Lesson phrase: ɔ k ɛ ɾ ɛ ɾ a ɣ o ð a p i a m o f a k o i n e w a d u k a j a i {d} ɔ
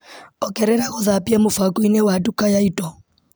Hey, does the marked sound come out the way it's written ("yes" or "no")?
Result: no